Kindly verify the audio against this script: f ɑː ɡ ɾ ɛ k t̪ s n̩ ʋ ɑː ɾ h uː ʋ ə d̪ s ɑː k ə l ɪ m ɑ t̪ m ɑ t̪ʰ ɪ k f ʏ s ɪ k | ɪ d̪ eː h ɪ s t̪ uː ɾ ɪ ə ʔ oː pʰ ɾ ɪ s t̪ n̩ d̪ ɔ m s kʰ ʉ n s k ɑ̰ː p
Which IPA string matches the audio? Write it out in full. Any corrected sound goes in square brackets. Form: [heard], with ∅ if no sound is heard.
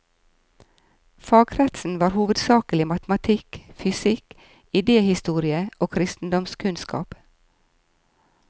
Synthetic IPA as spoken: f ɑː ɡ ɾ ɛ [∅] t̪ s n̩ ʋ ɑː ɾ h uː ʋ ə d̪ s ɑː k ə l ɪ m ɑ t̪ m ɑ t̪ʰ ɪ k f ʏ s ɪ k | ɪ d̪ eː h ɪ s t̪ uː ɾ ɪ ə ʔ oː [kʰ] ɾ ɪ s t̪ n̩ d̪ ɔ m s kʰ ʉ n s k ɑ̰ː p